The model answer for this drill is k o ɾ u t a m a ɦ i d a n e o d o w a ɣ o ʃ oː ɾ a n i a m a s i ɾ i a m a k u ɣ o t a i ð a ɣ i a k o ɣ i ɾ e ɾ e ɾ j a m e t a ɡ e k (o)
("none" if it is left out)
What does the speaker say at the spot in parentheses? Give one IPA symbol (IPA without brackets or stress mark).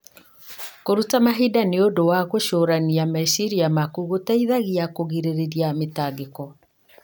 ɔ